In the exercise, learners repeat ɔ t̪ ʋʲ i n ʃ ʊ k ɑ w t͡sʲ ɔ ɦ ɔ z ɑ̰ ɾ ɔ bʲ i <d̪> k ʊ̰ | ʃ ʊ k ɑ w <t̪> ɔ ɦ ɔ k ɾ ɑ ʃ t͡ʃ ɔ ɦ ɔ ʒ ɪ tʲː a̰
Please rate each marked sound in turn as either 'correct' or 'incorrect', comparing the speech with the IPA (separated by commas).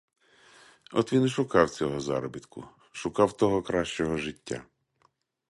incorrect, correct